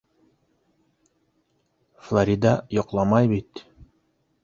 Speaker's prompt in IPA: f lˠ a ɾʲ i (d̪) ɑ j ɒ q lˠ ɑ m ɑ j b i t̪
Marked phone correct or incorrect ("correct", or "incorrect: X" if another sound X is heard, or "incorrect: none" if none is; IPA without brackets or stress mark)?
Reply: correct